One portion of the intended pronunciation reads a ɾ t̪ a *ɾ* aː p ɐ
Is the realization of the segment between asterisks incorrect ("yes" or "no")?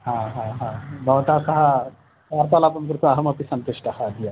yes